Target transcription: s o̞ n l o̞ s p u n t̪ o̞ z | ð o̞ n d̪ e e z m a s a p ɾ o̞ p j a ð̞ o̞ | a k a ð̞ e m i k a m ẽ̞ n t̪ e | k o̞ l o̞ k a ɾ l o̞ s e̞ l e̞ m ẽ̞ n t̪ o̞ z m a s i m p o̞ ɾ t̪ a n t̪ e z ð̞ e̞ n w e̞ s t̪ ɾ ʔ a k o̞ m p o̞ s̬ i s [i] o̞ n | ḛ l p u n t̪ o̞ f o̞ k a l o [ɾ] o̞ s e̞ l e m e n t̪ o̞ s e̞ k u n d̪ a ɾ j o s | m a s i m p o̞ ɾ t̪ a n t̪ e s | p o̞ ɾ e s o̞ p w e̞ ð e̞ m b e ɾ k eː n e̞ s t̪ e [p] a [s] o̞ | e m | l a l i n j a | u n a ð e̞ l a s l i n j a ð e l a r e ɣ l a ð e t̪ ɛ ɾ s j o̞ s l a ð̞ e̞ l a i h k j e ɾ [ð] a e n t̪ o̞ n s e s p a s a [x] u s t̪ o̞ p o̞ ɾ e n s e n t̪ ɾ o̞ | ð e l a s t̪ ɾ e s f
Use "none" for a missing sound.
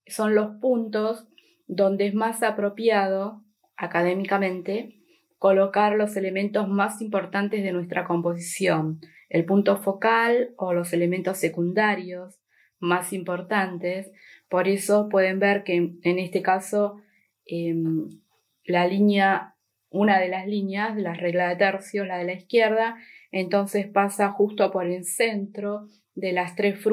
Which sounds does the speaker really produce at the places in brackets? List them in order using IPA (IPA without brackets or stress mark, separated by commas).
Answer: j, l, k, s, ð, x